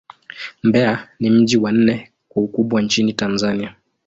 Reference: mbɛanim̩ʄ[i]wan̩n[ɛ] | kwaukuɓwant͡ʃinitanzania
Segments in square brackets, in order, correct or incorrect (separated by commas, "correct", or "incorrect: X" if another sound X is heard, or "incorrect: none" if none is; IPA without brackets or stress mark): correct, correct